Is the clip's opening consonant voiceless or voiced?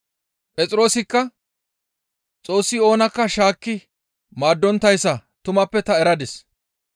voiceless